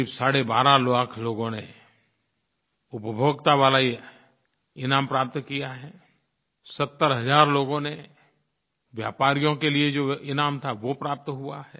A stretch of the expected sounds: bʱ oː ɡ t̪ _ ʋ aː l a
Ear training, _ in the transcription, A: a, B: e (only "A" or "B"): A